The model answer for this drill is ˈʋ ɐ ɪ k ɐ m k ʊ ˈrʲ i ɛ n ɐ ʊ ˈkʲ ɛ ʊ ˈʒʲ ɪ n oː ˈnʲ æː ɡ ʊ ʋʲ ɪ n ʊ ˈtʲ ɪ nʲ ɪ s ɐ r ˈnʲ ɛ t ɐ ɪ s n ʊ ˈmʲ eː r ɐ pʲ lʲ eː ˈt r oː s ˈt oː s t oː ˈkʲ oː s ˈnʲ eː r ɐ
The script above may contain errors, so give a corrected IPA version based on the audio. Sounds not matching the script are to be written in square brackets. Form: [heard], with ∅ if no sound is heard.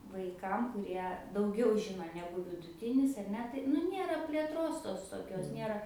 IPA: ˈʋ ɐ ɪ k ɐ m k ʊ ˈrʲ i ɛ [d] ɐ ʊ [ˈɡʲ] ɛ ʊ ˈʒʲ ɪ n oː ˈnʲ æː ɡ ʊ ʋʲ ɪ [d] ʊ ˈtʲ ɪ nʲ ɪ s ɐ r ˈnʲ ɛ t ɐ ɪ [∅] n ʊ [ˈnʲ] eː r ɐ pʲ lʲ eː ˈt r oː s ˈt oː s t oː ˈkʲ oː s ˈnʲ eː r ɐ